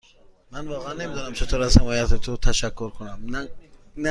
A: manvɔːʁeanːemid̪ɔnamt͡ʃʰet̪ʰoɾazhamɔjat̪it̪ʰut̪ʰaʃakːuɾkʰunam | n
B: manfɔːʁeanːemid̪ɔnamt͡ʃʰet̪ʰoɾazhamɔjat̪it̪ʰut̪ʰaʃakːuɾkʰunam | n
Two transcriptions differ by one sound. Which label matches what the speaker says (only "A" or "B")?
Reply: A